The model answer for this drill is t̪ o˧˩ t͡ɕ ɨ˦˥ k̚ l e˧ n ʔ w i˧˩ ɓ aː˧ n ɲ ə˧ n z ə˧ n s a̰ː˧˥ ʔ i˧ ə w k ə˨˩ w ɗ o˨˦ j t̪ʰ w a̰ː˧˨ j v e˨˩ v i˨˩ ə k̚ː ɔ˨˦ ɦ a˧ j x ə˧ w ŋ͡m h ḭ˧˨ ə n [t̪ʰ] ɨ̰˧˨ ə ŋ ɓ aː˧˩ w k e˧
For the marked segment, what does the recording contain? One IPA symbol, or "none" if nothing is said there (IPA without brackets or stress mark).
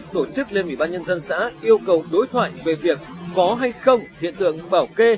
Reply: t̪